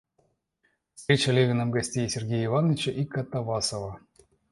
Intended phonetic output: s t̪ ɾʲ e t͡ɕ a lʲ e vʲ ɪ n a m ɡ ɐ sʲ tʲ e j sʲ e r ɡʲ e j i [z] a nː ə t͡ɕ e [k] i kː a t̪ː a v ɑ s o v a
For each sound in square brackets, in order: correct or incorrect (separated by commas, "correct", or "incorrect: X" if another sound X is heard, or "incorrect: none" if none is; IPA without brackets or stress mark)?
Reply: incorrect: v, incorrect: ʔ